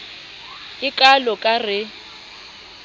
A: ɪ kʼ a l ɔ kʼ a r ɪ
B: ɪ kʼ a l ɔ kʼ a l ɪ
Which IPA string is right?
A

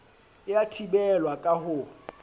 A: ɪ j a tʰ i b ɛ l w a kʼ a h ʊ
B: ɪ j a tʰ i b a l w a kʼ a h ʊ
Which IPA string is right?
A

